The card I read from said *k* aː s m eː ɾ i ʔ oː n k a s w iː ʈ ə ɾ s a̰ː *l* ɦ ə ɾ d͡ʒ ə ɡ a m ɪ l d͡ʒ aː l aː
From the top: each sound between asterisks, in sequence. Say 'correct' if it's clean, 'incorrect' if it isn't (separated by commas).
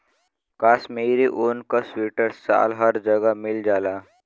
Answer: correct, correct